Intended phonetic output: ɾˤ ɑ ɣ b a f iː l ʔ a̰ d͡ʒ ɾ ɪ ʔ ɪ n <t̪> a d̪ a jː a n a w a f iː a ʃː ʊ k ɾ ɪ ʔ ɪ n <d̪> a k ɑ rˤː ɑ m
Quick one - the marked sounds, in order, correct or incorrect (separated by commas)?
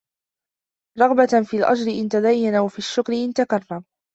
correct, incorrect